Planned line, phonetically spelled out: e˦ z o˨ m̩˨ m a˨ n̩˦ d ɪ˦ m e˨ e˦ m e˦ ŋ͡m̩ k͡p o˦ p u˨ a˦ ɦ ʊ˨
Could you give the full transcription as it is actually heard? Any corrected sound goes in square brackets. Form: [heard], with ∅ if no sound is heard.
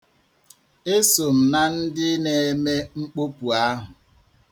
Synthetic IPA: e˦ [s] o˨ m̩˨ [n] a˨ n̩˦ d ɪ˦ [n] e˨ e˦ m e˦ ŋ͡m̩ k͡p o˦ p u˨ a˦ ɦ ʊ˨

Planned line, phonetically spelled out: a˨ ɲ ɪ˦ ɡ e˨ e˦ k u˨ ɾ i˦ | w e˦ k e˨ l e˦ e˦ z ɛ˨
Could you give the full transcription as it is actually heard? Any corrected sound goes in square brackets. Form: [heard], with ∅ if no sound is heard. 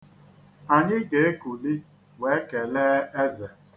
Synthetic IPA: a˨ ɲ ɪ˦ ɡ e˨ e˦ k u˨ [l] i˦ | w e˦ k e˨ l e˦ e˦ z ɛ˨

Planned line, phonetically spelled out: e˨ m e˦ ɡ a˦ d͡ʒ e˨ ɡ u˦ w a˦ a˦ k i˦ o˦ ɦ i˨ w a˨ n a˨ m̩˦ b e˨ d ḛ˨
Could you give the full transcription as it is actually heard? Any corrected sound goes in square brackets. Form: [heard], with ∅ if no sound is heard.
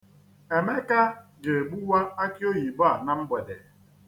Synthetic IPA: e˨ m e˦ [k] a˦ d͡ʒ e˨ [ɡ͡b] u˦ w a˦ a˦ k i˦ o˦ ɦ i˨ [b] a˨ n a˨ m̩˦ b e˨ d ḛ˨

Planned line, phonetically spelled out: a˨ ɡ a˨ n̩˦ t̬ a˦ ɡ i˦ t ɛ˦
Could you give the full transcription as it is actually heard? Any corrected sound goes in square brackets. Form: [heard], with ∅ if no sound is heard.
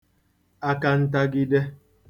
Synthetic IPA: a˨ [k] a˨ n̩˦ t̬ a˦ ɡ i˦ [d] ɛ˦

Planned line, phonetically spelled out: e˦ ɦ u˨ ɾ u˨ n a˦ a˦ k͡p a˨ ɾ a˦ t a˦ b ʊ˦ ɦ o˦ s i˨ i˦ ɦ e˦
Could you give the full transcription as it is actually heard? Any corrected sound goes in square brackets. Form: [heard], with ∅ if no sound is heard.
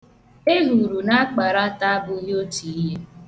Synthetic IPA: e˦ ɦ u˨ ɾ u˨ n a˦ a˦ k͡p a˨ ɾ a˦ t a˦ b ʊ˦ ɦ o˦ [t] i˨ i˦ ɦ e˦

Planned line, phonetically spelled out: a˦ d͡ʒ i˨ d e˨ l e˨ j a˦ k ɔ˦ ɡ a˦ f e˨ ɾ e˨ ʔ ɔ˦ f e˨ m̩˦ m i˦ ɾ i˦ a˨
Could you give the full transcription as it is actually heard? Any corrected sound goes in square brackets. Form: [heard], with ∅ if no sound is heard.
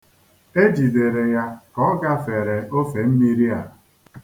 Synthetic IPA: [e˦] d͡ʒ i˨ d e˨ [ɾ] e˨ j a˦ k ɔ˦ ɡ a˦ f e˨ ɾ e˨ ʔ [o˦] f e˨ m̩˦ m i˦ ɾ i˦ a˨

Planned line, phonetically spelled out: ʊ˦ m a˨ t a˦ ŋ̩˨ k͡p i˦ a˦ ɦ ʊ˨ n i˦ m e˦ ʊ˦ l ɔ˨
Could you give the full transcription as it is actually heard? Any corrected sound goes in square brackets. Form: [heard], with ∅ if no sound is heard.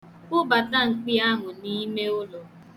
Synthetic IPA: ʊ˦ [b] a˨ t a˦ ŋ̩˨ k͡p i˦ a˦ ɦ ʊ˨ n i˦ m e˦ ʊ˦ l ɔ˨

